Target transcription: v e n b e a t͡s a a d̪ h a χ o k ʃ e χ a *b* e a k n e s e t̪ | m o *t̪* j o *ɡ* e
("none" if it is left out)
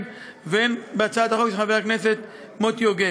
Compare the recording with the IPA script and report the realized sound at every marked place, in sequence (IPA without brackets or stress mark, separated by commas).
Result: v, t̪, ɡ